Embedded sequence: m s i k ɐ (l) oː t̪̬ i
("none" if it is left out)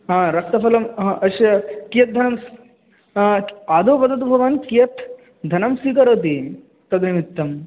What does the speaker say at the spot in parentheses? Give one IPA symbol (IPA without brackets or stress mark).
ɾ